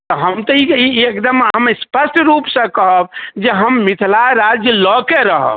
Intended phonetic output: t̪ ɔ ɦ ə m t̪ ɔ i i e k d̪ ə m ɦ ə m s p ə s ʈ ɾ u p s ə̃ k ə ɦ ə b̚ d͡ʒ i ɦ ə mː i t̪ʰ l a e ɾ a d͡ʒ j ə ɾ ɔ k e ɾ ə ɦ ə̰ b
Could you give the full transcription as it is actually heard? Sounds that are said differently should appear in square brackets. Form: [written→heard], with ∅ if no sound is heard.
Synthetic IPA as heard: t̪ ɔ ɦ ə m t̪ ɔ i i e k d̪ ə m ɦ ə m s p ə s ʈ ɾ u p s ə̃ k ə ɦ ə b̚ d͡ʒ [i→e] ɦ ə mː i t̪ʰ l a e ɾ a d͡ʒ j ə [ɾ→l] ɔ k e ɾ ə ɦ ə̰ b